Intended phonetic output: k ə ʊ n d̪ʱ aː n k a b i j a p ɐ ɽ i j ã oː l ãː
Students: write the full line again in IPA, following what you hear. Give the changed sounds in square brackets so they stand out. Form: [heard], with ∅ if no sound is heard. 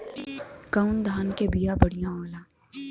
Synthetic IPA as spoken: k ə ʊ n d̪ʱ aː n k [e] b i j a [b] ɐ ɽ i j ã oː l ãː